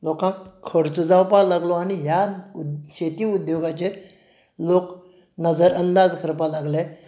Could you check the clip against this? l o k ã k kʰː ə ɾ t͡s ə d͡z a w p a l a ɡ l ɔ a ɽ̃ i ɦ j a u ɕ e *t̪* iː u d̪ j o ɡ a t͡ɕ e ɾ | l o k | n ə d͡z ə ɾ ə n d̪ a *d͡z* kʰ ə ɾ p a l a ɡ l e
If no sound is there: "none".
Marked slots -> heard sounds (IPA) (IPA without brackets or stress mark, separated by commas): t̪, d͡z